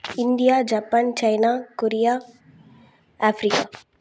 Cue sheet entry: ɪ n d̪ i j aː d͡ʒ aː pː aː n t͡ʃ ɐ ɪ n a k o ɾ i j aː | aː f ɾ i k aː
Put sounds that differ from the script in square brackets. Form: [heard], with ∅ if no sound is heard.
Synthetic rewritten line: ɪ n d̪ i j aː d͡ʒ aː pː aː n t͡ʃ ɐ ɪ n a k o ɾ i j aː | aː f ɾ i k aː